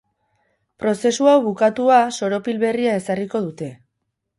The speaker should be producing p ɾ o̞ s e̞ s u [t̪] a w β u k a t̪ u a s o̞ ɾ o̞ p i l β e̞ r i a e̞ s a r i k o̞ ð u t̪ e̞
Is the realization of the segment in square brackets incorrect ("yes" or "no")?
yes